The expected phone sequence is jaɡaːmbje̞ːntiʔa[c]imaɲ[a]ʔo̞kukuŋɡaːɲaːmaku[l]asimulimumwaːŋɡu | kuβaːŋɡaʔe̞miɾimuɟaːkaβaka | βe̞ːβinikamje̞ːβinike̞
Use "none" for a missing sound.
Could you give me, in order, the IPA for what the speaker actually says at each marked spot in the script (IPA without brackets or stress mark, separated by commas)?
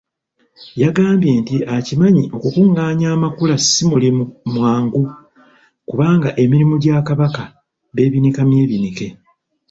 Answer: c, i, l